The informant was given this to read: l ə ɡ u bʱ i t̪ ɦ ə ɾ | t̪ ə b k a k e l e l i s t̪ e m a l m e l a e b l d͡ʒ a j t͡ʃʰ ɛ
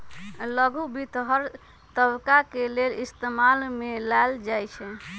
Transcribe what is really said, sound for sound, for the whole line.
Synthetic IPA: l ə ɡ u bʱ i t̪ ɦ ə ɾ | t̪ ə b k a k e l e l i s t̪ e m a l m e l a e l d͡ʒ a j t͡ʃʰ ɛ